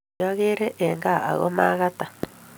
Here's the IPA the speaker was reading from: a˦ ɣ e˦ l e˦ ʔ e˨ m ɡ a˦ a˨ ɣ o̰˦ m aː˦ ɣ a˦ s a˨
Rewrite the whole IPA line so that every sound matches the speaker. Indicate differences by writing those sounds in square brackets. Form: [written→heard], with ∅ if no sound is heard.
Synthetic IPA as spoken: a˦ ɣ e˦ [l→ɾ] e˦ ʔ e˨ [m→ŋ] ɡ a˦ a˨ ɣ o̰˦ m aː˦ ɣ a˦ [s→t] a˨

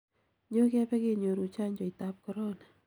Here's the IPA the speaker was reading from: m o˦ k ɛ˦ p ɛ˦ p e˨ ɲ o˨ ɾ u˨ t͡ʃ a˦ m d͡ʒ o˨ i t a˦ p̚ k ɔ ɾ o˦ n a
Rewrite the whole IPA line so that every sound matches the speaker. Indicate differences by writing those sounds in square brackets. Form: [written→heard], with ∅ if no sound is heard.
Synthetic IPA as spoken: [m→ɲ] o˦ k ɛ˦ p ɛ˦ [p→k] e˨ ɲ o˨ ɾ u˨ t͡ʃ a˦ [m→ɲ] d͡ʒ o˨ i t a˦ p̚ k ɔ ɾ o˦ n a

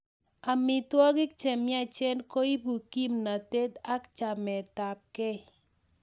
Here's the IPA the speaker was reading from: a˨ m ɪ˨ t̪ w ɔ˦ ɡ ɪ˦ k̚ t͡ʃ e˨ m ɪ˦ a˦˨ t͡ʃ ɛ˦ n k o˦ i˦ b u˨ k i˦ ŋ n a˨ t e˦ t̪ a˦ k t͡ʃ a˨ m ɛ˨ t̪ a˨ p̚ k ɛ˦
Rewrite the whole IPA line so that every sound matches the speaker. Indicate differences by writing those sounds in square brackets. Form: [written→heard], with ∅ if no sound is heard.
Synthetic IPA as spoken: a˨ m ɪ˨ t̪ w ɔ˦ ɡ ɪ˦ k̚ t͡ʃ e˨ m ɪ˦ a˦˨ t͡ʃ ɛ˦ n k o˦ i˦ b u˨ k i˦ [ŋ→m] n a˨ t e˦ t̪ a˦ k t͡ʃ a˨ m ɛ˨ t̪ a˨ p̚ k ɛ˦

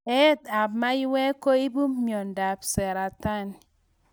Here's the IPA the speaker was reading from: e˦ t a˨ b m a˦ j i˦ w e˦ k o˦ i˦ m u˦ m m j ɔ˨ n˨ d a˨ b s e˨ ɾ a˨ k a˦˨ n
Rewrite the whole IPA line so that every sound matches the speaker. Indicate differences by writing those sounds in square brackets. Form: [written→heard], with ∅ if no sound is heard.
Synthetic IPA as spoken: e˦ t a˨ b m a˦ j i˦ w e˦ k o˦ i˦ [m→b] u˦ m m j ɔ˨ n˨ d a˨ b s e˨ ɾ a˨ [k→t] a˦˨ n

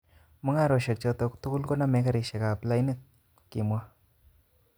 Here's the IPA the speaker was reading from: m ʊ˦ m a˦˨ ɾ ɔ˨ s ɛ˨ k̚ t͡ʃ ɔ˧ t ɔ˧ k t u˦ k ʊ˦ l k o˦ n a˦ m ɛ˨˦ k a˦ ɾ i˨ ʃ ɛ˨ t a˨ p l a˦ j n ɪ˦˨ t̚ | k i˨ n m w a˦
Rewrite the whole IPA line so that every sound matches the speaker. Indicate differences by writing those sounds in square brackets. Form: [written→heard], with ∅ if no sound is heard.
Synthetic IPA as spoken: m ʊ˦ [m→ŋ] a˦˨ ɾ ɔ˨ [s→ʃ] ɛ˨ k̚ t͡ʃ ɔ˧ t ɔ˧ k t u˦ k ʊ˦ l k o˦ n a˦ m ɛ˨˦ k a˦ ɾ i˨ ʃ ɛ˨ [t→k] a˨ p l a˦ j n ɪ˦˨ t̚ | k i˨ [n→∅] m w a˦

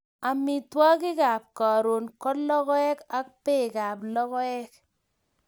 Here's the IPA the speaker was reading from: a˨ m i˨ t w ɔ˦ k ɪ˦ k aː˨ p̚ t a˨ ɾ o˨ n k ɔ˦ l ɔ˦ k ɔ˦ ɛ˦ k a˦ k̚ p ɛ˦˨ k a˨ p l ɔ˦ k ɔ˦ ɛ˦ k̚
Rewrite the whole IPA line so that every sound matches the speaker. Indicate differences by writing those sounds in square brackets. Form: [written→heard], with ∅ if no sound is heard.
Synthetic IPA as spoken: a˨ m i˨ t w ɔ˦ k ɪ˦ k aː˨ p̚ [t→k] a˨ ɾ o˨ n k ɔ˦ l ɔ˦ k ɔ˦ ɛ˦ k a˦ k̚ p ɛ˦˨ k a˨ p l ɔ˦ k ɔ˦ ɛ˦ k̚

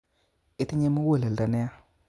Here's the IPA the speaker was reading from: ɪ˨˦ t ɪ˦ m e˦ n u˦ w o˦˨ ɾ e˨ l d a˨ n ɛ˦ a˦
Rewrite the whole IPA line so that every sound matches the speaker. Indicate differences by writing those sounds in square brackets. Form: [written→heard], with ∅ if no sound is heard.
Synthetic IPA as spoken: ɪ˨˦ t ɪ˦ [m→ɲ] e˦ [n→m] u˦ w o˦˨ [ɾ→l] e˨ l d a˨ n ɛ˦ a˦

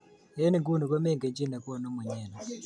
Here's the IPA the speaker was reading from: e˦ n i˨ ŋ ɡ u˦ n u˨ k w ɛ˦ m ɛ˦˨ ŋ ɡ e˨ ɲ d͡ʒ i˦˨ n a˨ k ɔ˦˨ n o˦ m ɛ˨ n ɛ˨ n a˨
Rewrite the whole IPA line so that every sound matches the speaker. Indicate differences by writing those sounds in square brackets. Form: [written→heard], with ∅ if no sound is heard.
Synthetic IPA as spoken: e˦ n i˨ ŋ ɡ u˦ n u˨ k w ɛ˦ m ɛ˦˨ ŋ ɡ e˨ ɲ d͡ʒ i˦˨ n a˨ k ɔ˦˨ n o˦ m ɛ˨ [n→ɲ] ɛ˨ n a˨

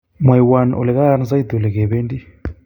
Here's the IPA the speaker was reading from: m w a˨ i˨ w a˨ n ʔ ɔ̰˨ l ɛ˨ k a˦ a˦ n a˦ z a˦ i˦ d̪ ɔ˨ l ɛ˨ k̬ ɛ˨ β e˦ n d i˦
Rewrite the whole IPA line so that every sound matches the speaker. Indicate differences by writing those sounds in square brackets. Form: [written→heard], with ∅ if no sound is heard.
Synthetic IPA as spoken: m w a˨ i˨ w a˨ n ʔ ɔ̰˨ l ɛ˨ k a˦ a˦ n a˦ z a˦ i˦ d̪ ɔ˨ l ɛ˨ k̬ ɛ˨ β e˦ n d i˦

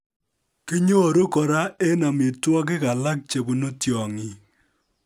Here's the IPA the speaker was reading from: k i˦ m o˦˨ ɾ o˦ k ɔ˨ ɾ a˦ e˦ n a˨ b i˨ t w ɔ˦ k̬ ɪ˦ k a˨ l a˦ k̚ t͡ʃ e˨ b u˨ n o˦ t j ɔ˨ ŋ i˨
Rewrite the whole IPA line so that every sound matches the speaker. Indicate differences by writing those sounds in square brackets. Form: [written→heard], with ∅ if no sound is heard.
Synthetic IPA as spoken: k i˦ [m→ɲ] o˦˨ ɾ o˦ k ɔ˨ ɾ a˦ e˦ n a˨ [b→m] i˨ t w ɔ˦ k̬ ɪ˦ k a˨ l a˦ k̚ t͡ʃ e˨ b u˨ n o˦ t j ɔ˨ ŋ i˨

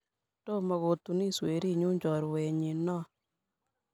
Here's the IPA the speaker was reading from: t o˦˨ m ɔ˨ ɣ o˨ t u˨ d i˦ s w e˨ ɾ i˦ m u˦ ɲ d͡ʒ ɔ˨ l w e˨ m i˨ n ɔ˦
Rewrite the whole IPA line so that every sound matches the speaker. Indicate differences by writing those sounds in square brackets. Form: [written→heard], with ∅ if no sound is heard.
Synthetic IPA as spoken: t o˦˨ m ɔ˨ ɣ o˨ t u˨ [d→n] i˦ s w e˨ ɾ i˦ [m→ɲ] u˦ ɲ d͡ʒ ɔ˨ [l→ɾ] w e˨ [m→ɲ] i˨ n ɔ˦

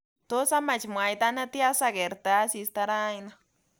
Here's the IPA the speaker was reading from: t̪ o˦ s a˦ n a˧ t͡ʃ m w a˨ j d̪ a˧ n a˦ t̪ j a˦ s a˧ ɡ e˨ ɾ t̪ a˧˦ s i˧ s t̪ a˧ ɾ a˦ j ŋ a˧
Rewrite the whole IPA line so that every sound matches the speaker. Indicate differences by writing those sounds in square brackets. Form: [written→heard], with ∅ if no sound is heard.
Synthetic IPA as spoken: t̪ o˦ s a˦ [n→m] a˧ t͡ʃ m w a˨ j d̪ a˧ n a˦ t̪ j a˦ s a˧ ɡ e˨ ɾ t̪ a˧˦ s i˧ s t̪ a˧ ɾ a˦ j [ŋ→n] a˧

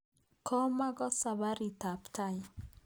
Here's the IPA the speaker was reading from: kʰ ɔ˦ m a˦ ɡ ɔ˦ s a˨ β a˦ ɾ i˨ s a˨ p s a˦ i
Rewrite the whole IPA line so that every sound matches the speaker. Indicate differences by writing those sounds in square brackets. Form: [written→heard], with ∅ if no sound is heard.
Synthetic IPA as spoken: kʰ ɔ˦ m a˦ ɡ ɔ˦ s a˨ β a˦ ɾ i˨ [s→t] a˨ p [s→t] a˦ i

